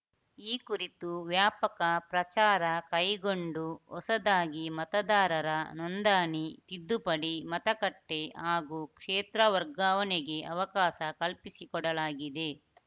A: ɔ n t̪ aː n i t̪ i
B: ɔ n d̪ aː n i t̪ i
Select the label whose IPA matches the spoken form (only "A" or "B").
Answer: B